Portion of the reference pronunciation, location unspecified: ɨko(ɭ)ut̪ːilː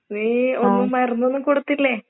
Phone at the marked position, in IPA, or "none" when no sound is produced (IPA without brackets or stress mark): ɽ